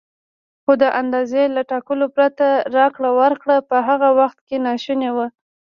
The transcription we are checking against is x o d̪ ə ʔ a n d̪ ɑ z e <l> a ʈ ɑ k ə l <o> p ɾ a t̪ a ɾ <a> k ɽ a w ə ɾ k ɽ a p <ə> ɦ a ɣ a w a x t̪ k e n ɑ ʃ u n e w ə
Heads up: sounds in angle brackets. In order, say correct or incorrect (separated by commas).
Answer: correct, correct, incorrect, correct